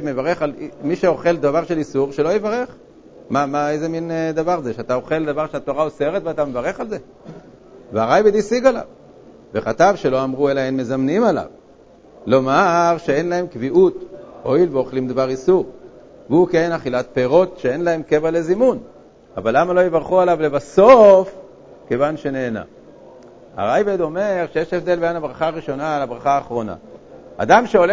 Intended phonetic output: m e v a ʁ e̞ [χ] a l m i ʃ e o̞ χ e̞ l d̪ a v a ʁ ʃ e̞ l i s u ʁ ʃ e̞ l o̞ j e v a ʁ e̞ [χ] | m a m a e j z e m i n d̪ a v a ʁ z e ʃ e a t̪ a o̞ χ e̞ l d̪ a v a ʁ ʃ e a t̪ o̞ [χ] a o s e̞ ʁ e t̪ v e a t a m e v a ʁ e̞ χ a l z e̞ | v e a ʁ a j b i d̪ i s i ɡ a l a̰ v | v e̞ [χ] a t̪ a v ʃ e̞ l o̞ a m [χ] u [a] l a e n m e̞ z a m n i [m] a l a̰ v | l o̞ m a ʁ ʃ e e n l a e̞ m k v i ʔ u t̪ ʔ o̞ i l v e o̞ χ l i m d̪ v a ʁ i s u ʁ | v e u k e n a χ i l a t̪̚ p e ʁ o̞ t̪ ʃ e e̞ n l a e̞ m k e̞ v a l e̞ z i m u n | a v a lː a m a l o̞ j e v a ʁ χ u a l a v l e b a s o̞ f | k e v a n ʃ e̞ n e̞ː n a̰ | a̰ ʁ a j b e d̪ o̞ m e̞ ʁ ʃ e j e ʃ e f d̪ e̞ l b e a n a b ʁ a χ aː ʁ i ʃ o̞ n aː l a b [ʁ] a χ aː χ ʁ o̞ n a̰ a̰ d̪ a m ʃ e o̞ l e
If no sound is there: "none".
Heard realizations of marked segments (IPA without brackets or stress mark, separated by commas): χ, χ, ʁ, χ, ʁ, e, m, ʁ